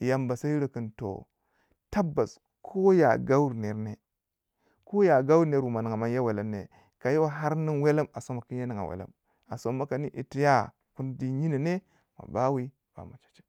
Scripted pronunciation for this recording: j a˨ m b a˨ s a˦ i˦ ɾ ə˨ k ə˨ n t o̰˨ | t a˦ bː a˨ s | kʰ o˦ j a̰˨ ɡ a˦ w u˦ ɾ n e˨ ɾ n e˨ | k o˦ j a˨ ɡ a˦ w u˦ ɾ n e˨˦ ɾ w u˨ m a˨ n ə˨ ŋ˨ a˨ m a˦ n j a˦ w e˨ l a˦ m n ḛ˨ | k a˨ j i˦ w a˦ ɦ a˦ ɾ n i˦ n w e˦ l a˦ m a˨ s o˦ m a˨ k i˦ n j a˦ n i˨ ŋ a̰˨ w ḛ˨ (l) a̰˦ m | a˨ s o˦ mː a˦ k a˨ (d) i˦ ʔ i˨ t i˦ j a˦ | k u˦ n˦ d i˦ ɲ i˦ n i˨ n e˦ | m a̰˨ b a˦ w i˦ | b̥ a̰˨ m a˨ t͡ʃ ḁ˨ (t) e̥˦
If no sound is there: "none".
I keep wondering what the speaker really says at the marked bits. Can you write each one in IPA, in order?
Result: l, n, t͡ʃ

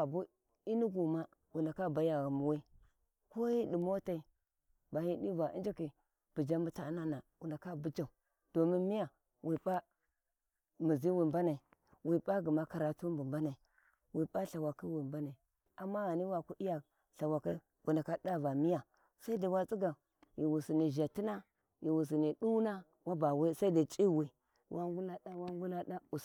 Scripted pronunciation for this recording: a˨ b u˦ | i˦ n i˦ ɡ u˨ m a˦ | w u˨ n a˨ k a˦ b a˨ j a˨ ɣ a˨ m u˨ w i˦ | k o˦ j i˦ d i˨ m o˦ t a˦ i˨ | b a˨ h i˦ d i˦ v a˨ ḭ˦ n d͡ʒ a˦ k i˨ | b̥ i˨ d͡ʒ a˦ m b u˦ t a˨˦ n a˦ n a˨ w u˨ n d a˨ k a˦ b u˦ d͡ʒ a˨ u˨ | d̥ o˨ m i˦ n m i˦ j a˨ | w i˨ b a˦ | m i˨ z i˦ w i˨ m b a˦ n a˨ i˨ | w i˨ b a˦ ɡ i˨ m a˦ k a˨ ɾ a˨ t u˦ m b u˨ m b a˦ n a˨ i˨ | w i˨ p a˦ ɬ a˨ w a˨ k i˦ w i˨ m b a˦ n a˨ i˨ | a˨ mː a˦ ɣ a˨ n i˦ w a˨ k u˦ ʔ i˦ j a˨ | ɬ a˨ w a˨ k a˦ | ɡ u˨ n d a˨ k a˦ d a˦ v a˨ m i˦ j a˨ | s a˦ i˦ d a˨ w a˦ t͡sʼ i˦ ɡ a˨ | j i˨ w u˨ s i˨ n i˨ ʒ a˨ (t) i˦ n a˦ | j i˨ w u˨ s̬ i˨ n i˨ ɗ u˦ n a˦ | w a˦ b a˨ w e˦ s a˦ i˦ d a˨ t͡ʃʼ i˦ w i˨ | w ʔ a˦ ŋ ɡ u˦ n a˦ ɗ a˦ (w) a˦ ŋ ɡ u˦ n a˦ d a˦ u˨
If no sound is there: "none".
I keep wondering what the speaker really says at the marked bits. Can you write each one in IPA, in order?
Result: t, w

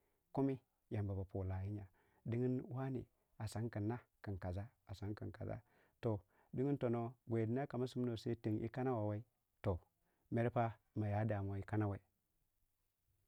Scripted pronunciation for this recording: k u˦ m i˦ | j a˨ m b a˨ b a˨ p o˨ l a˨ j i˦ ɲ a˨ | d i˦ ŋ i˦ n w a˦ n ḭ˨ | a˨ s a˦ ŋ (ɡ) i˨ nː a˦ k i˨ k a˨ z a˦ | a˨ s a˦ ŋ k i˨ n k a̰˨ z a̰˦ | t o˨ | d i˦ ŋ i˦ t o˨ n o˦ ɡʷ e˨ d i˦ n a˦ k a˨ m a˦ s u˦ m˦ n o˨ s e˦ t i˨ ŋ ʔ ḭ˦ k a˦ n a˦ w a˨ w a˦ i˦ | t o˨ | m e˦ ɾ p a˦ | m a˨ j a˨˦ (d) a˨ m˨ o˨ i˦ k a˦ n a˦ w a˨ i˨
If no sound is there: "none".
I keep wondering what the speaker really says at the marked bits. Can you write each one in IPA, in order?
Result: k, d

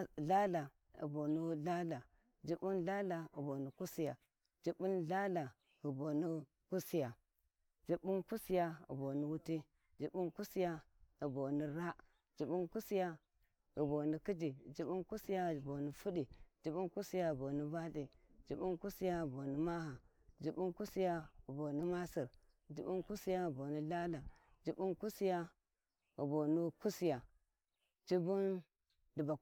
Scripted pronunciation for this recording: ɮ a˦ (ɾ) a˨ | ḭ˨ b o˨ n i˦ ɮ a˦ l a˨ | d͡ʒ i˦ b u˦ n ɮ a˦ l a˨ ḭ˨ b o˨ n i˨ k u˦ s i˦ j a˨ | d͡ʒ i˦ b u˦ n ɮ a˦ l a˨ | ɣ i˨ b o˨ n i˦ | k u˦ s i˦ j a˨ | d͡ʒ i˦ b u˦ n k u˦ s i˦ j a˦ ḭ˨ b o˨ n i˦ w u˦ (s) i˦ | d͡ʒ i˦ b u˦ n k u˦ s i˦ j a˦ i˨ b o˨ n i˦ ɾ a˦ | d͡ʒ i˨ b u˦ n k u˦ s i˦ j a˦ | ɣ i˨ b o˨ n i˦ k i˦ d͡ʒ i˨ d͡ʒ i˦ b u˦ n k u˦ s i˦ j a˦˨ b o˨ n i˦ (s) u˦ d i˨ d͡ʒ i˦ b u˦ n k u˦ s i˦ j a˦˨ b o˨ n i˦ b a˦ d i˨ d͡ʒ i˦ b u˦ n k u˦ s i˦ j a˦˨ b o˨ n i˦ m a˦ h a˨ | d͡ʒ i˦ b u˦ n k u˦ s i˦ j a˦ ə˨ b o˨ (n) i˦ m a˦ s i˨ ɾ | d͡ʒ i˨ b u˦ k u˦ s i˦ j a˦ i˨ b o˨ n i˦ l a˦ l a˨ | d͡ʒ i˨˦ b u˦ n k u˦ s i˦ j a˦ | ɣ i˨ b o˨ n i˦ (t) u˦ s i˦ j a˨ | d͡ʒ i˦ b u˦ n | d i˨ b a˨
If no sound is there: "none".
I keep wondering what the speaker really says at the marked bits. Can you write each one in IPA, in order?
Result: l, t, f, n, k

